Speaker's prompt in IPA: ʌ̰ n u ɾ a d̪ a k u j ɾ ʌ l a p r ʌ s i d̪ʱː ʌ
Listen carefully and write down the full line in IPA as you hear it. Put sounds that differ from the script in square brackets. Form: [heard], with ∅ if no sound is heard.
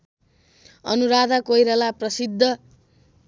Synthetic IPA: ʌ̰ n u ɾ a d̪ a k [o] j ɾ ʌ l a p r ʌ s i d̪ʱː ʌ